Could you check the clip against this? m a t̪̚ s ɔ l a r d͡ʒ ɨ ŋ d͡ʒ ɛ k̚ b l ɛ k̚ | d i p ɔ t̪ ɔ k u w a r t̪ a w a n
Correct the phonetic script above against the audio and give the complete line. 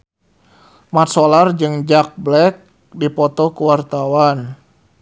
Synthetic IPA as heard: m a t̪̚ s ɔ l a r d͡ʒ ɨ ŋ d͡ʒ a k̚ b l ɛ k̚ | d i p ɔ t̪ ɔ k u w a r t̪ a w a n